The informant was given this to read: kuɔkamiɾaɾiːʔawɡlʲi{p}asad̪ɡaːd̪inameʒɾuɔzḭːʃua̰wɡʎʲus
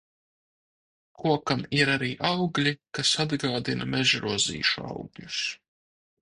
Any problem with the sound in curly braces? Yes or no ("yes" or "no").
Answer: yes